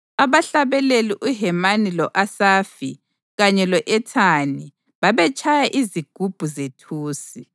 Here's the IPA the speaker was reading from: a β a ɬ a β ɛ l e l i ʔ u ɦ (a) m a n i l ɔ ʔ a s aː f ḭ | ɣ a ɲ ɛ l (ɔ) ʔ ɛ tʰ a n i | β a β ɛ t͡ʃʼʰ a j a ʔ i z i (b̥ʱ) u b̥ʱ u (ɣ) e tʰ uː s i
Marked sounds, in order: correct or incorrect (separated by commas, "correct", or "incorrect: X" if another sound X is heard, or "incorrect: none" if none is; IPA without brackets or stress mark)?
incorrect: ɛ, correct, incorrect: ɡ̥ʱ, incorrect: z